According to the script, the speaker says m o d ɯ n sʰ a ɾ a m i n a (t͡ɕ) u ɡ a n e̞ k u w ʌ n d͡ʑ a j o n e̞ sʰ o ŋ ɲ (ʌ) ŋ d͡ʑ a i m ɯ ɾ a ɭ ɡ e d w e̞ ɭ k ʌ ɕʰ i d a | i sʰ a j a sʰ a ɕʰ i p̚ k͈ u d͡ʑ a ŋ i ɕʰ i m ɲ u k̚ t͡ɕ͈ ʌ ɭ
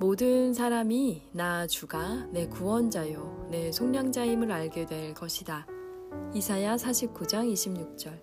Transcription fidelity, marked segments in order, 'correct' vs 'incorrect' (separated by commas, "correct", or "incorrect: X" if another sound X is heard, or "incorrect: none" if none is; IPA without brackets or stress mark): correct, incorrect: a